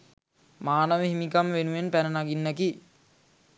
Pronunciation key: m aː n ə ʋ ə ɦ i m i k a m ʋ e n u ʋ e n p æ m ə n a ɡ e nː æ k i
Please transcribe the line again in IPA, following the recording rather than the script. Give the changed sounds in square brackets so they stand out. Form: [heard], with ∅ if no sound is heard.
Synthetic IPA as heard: m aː n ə ʋ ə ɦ i m i k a m ʋ e n u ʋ e n p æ [n] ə n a ɡ [i] nː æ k i